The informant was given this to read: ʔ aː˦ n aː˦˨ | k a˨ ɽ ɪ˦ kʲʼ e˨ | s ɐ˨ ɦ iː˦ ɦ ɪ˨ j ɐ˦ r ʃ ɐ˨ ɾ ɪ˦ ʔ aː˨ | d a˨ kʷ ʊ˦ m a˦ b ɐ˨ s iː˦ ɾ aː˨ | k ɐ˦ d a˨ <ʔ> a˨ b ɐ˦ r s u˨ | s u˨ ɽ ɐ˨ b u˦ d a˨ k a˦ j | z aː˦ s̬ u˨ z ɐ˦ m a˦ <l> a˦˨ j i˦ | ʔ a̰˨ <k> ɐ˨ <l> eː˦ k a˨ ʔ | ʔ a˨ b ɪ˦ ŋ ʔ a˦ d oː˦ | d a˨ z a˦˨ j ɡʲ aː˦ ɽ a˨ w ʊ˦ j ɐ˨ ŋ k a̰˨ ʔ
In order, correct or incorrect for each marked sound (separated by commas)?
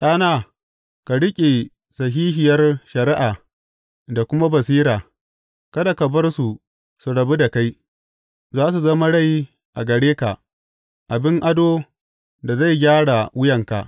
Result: incorrect, incorrect, incorrect, incorrect